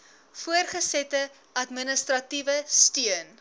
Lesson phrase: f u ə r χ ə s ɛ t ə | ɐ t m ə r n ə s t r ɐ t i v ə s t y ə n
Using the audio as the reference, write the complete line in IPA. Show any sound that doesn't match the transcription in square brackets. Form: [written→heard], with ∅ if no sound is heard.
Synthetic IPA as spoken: f u ə r χ ə s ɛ t ə | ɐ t m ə [r→∅] n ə s t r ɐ t i v ə s t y ə n